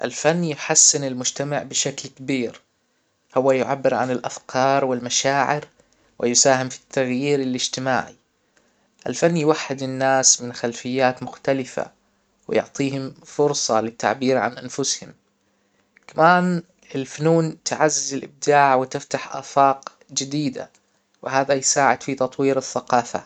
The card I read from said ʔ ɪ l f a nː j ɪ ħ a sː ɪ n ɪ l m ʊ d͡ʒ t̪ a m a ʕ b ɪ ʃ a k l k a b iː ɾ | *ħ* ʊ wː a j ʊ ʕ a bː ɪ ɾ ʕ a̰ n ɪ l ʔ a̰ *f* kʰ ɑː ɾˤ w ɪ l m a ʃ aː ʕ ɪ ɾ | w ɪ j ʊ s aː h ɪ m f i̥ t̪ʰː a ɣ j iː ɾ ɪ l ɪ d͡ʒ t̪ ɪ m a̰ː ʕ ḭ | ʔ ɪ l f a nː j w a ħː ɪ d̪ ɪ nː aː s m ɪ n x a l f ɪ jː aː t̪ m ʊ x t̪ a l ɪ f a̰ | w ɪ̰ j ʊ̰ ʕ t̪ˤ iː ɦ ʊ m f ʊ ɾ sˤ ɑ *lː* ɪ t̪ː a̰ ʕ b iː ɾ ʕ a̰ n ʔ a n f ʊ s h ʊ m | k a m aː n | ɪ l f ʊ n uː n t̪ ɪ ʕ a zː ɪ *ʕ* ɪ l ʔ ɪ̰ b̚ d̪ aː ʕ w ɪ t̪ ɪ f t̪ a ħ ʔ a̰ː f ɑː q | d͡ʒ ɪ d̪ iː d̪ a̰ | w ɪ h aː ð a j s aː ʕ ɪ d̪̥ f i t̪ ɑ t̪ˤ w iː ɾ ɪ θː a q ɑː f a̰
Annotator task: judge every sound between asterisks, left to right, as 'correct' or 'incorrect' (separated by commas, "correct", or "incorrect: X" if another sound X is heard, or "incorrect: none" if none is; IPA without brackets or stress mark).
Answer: incorrect: h, correct, incorrect: l, incorrect: z